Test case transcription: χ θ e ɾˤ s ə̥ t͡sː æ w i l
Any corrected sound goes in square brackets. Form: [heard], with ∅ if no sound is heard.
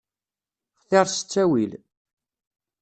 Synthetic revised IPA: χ θ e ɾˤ s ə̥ t͡sː æ w i l